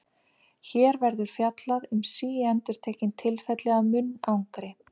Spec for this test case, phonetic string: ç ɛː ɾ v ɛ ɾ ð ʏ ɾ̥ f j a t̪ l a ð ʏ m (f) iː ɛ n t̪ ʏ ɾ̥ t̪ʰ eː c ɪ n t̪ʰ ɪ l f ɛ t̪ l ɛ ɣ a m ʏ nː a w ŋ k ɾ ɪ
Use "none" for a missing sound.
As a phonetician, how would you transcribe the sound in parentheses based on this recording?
s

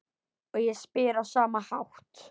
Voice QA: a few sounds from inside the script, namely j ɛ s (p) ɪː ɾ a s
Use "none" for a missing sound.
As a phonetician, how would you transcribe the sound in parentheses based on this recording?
p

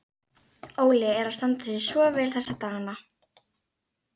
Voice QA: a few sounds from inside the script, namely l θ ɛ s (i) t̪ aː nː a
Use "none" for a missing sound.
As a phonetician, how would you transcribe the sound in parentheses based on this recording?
a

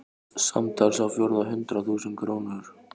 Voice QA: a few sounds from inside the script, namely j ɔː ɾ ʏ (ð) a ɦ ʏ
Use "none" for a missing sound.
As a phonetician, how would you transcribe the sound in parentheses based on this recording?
ð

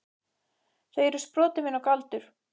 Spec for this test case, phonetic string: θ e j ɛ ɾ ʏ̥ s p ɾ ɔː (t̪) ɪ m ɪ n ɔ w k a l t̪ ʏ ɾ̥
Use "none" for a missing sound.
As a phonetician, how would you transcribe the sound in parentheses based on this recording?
t̪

